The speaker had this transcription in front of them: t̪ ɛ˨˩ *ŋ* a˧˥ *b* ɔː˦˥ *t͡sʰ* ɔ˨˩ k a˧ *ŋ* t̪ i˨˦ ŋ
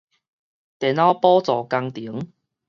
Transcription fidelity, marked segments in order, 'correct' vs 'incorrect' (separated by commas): incorrect, incorrect, incorrect, correct